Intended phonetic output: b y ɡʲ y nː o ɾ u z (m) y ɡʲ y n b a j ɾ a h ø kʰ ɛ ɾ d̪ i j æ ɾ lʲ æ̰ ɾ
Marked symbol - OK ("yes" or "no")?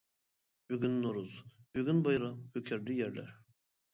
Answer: no